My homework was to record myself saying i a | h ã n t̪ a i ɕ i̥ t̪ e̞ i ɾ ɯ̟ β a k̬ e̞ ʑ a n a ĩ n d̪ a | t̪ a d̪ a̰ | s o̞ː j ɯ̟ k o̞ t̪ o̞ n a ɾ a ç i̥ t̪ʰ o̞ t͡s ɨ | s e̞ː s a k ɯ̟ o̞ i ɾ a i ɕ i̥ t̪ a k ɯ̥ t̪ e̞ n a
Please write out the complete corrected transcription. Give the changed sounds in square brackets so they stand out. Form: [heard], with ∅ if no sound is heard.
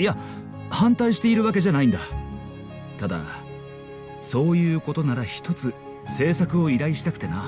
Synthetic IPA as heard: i a | h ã n t̪ a i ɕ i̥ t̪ e̞ i ɾ ɯ̟ β a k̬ e̞ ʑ a n a ĩ n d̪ a | t̪ a d̪ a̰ | s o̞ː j [ɯ̟ː] k o̞ t̪ o̞ n a ɾ a ç i̥ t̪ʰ o̞ t͡s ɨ | s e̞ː s a k ɯ̟ o̞ i ɾ a i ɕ i̥ t̪ a k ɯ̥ t̪ e̞ n a